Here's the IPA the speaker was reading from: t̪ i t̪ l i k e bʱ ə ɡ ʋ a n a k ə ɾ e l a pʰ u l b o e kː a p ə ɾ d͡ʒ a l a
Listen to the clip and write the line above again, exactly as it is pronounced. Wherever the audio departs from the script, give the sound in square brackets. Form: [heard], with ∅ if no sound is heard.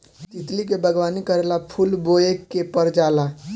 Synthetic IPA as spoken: t̪ i t̪ l i k e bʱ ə ɡ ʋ a n [i] k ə ɾ e l a pʰ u l b o e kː [e] p ə ɾ d͡ʒ a l a